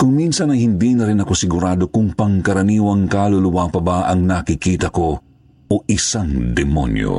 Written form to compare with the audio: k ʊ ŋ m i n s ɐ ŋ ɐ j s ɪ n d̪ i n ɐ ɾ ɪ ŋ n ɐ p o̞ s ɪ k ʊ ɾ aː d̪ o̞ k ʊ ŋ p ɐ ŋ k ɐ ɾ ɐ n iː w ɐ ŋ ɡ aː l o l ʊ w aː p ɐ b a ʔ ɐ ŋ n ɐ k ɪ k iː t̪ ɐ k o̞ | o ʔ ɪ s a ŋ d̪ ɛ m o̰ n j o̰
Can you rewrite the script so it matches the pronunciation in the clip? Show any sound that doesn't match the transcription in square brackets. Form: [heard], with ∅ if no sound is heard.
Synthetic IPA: k ʊ ŋ m i n s ɐ [n] ɐ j [h] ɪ n d̪ i n ɐ ɾ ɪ [∅] n ɐ [k] o̞ s ɪ [ɡ] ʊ ɾ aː d̪ o̞ k ʊ ŋ p ɐ ŋ k ɐ ɾ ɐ n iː w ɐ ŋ [k] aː l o l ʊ w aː p ɐ b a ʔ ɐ ŋ n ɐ k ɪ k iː t̪ ɐ k o̞ | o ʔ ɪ s a ŋ d̪ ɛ m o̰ n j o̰